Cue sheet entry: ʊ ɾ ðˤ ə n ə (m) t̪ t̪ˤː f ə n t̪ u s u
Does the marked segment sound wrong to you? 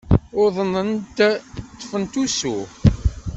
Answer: yes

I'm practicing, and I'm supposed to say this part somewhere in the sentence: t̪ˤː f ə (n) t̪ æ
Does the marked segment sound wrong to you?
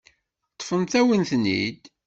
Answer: no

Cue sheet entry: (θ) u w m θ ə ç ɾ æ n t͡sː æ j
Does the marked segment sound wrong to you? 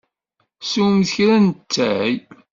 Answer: yes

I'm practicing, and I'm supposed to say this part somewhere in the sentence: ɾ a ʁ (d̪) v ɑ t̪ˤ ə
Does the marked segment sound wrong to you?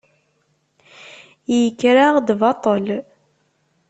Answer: no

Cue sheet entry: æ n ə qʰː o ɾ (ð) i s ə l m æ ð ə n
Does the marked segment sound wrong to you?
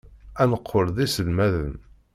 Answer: no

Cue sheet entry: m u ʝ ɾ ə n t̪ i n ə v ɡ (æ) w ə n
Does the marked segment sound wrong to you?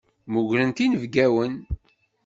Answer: no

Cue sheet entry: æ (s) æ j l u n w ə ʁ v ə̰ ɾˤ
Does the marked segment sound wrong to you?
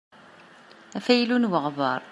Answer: yes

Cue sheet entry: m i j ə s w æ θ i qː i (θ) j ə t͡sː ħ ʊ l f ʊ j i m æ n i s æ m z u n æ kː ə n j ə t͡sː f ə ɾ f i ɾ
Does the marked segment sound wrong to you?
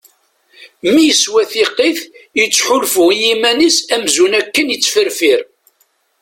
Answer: no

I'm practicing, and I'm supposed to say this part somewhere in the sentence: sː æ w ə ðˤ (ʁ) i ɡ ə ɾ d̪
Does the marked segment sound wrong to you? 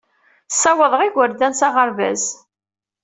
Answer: no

